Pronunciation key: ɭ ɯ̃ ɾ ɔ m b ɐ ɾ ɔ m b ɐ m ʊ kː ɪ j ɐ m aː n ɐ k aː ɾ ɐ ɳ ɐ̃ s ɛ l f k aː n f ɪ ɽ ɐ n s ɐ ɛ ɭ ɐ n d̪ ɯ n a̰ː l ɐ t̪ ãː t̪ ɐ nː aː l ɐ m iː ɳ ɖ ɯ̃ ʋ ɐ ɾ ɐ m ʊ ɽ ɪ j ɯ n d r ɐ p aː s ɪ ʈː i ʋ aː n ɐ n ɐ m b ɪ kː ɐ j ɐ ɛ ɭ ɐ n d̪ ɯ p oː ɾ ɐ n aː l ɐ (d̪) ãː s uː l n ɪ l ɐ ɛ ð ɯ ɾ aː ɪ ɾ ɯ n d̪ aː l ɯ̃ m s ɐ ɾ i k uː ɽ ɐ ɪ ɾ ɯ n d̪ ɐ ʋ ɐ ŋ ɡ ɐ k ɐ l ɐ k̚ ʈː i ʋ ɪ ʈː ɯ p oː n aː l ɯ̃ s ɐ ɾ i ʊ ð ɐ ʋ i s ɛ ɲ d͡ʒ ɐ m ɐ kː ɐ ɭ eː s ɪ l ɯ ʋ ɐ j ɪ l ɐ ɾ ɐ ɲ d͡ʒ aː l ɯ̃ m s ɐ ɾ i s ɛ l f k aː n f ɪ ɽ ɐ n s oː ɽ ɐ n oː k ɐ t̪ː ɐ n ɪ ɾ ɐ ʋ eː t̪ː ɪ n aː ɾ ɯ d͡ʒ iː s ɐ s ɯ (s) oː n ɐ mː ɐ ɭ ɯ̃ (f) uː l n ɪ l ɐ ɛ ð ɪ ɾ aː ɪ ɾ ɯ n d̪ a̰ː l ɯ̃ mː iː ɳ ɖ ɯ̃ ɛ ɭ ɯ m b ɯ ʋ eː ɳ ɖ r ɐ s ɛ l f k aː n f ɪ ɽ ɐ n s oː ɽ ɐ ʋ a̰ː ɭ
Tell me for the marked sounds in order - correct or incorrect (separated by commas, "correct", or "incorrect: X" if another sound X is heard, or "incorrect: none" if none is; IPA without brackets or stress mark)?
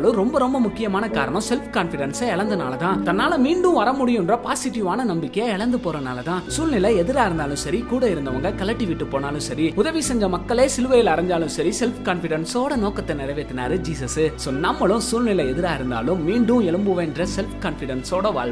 incorrect: t̪, correct, incorrect: s